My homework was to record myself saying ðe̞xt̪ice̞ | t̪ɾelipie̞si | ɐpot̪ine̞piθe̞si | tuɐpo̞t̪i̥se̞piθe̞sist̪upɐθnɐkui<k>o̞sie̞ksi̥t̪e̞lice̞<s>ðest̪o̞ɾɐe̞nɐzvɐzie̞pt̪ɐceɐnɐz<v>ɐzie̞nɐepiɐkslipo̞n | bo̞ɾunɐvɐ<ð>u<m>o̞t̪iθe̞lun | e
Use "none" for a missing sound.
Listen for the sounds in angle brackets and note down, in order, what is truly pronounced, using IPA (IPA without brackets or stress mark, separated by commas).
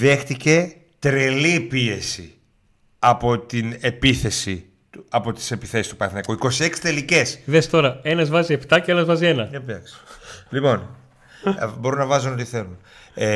k, s, v, z, n